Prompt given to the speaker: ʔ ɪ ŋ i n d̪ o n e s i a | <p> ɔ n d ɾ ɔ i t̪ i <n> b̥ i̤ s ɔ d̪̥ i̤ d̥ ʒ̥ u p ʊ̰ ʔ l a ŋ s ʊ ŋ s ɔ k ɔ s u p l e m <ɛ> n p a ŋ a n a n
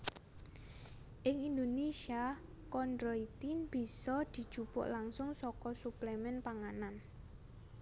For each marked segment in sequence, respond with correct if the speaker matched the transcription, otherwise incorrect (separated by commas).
incorrect, correct, correct